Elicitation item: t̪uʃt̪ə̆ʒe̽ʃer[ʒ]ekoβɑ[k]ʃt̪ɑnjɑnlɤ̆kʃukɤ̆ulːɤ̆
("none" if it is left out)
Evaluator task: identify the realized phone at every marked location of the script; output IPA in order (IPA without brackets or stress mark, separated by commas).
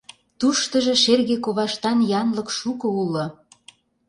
ɣ, none